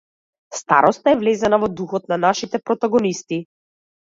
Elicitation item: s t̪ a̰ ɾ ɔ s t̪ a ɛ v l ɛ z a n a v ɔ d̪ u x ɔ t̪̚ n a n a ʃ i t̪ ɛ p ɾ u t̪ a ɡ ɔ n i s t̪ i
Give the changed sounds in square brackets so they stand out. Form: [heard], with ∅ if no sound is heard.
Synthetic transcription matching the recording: s t̪ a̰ ɾ ɔ s t̪ a ɛ v l ɛ z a n a v ɔ d̪ u x ɔ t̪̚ n a n a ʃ i t̪ ɛ p ɾ [ɔ] t̪ a ɡ ɔ n i s t̪ i